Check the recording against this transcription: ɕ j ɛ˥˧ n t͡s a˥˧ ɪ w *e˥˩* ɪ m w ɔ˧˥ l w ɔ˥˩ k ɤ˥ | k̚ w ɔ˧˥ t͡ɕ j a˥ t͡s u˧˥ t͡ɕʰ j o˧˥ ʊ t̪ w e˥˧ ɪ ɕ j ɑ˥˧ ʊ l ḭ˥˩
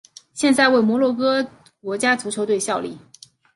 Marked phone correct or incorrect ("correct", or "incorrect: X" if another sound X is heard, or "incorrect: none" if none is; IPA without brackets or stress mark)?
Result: correct